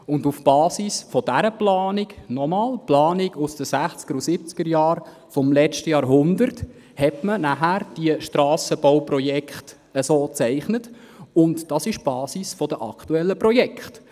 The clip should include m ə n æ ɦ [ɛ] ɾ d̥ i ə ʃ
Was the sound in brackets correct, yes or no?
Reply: no